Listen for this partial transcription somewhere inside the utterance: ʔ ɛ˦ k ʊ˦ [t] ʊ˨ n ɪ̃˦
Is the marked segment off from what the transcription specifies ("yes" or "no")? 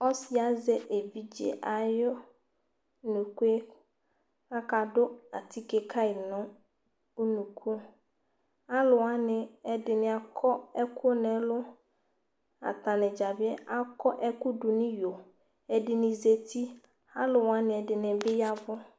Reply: yes